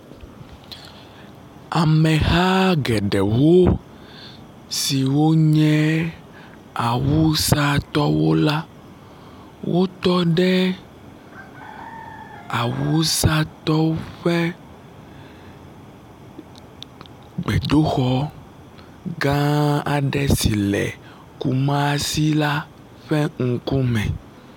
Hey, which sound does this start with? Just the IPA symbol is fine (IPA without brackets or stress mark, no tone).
a